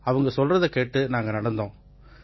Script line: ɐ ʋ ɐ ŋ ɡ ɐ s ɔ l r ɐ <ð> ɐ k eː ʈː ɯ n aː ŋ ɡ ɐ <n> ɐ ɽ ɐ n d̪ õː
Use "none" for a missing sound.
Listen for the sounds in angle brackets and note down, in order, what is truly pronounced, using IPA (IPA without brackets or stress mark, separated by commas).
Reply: ð, n